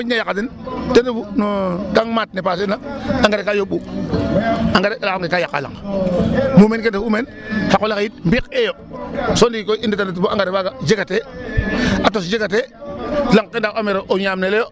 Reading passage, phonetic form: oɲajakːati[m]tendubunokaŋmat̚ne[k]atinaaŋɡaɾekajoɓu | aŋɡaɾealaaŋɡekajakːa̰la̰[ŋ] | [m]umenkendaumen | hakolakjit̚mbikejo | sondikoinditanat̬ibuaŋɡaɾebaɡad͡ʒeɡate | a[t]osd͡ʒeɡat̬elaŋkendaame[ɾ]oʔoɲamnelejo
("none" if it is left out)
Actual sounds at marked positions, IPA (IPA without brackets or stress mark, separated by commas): n, p, ŋ, m, t, ɾ